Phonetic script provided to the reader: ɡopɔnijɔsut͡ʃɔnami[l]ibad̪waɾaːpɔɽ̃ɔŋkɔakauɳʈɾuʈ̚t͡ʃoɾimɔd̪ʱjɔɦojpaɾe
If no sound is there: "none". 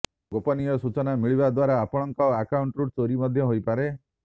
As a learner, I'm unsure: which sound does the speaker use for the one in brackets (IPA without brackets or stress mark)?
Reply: ɭ